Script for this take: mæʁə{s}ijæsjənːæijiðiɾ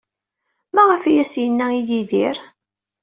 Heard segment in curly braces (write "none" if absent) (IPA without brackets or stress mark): f